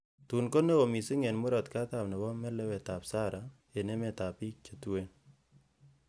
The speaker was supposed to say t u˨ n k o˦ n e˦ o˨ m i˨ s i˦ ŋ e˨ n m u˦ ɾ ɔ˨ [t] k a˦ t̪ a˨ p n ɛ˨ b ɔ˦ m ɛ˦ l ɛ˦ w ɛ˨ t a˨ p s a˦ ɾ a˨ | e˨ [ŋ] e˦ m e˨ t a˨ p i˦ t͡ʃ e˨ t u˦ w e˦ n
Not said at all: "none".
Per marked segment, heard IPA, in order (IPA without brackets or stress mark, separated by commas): t, n